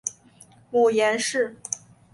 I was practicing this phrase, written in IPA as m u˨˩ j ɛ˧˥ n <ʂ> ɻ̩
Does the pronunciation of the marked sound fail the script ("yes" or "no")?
no